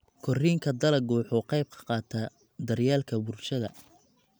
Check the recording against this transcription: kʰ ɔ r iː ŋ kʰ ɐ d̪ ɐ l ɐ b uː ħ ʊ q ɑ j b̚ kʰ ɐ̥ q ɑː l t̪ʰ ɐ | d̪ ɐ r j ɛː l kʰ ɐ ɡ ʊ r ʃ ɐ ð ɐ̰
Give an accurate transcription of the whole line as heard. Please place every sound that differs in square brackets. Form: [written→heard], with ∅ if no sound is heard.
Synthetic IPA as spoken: kʰ ɔ r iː ŋ kʰ ɐ d̪ ɐ l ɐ [b→ɡ] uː ħ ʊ q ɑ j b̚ kʰ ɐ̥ q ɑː [l→∅] t̪ʰ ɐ | d̪ ɐ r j [ɛː→aː] l kʰ ɐ [ɡ→b] ʊ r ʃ ɐ ð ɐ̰